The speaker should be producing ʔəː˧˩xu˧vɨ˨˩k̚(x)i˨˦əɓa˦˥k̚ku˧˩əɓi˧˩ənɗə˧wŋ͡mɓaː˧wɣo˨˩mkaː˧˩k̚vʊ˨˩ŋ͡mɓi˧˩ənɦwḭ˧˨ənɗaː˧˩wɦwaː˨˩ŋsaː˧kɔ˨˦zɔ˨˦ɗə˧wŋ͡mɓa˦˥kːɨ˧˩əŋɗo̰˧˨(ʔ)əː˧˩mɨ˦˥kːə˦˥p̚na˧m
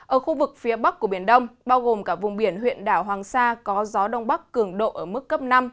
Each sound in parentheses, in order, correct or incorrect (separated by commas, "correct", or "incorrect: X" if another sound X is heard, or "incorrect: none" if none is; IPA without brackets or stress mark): incorrect: f, correct